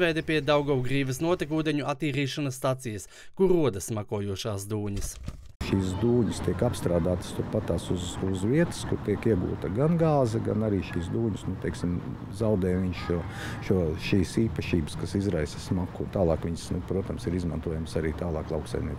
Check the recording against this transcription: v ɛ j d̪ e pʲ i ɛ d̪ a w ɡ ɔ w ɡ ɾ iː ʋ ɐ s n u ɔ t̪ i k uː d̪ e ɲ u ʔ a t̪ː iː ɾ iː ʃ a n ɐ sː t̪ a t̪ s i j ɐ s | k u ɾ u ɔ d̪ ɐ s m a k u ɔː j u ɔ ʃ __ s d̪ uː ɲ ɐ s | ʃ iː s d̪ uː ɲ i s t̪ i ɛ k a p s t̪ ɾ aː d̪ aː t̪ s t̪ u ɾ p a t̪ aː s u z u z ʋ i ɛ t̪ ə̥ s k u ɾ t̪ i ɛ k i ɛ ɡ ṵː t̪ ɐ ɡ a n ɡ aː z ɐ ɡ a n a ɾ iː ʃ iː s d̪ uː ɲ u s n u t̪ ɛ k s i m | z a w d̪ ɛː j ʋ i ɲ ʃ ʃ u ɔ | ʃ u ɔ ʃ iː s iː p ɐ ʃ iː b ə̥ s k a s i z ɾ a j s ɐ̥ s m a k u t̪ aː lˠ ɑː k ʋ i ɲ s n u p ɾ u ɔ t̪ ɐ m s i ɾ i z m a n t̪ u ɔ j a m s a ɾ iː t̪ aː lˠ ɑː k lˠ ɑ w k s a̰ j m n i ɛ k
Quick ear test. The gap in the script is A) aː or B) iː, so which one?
A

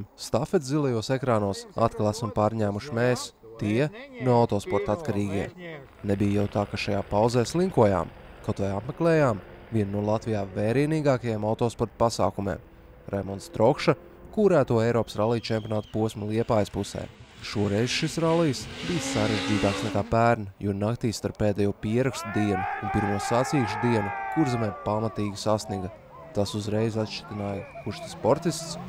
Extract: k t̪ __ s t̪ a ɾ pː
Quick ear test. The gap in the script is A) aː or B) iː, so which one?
B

